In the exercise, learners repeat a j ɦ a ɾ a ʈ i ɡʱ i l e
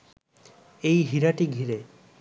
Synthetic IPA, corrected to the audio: e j ɦ i ɾ a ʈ i ɡʱ i ɾ e